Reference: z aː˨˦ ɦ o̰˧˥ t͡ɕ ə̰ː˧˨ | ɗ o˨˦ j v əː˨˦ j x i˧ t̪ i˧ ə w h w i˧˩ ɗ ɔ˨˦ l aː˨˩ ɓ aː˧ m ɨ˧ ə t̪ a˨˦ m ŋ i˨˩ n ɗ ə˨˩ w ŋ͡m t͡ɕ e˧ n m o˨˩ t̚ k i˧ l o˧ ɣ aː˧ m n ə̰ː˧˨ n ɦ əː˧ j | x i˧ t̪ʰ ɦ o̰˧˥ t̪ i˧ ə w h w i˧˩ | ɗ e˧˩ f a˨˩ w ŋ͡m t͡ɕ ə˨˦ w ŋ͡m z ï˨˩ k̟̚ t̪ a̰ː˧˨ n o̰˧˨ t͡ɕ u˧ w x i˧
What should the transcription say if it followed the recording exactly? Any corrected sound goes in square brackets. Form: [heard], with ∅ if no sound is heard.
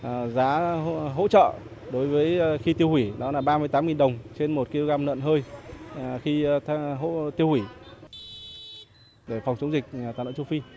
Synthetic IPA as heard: z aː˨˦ ɦ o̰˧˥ t͡ɕ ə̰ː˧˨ | ɗ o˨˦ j v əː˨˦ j x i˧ t̪ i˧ ə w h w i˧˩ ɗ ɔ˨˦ l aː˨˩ ɓ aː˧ m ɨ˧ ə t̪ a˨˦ m ŋ i˨˩ n ɗ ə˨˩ w ŋ͡m t͡ɕ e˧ n m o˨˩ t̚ k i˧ l o˧ ɣ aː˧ m n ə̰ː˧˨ n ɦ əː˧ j | x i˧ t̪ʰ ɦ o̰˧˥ t̪ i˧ ə w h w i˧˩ | ɗ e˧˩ f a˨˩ w ŋ͡m t͡ɕ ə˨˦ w ŋ͡m z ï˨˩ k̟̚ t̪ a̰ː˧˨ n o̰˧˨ t͡ɕ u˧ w [f] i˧